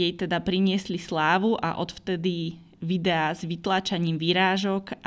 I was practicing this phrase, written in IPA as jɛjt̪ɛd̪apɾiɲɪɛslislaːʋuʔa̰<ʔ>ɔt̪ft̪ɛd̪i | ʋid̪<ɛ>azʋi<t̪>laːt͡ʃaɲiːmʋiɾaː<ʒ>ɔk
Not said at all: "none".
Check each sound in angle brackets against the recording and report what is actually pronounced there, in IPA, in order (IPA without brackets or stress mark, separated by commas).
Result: ʔ, ɛ, t̪, ʒ